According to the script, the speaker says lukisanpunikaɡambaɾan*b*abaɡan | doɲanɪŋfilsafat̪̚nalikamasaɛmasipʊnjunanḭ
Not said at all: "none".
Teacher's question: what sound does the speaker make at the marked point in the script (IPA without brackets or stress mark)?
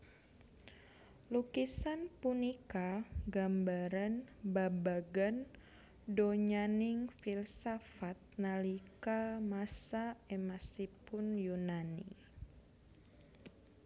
b